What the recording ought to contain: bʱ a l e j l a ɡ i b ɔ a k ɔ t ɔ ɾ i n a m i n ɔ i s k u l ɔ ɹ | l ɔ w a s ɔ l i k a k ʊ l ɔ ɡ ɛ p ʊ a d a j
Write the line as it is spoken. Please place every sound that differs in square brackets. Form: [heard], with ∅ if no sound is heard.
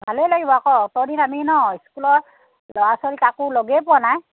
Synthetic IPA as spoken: bʱ a l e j l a ɡ i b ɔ a k ɔ t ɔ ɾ i n a m i n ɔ i s k u l ɔ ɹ | l ɔ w a s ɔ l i k a k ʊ l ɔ ɡ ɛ p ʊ a [n] a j